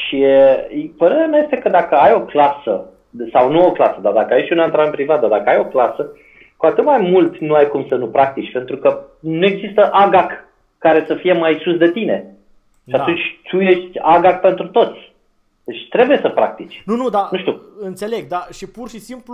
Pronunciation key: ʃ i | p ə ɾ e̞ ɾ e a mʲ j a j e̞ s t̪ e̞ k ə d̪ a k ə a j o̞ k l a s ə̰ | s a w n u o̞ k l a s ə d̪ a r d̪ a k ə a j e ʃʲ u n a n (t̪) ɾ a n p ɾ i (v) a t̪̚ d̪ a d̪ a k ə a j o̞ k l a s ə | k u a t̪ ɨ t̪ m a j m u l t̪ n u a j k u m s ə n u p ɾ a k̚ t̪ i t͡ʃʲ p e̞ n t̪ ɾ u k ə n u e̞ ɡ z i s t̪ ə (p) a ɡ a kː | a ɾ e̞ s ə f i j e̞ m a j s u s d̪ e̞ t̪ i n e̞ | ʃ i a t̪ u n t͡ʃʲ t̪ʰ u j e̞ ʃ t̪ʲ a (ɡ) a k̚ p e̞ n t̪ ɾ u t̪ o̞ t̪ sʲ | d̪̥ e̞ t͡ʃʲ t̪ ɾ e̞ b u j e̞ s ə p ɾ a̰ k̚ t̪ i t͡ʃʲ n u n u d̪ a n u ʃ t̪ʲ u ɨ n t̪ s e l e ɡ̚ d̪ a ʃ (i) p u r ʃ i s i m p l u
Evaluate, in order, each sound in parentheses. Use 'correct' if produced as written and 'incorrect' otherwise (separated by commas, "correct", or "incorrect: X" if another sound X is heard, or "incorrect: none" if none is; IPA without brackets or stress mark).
correct, correct, incorrect: ʔ, correct, correct